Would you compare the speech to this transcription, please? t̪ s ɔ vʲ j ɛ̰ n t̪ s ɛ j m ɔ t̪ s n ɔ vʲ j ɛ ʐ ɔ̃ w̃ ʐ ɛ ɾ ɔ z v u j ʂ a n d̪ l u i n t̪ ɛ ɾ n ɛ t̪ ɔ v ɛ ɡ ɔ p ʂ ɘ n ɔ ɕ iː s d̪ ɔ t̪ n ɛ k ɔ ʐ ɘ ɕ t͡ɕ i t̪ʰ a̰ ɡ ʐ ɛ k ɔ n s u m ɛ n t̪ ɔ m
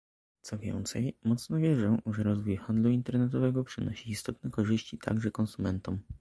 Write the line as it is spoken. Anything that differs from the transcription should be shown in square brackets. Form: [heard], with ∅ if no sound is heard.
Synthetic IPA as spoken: t̪ s ɔ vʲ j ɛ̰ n t̪ s ɛ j m ɔ t̪ s n ɔ vʲ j ɛ ʐ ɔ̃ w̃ ʐ ɛ ɾ ɔ z v u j [x] a n d̪ l u i n t̪ ɛ ɾ n ɛ t̪ ɔ v ɛ ɡ ɔ p ʂ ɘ n ɔ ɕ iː s [t̪] ɔ t̪ n ɛ k ɔ ʐ ɘ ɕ t͡ɕ i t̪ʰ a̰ ɡ ʐ ɛ k ɔ n s u m ɛ n t̪ ɔ m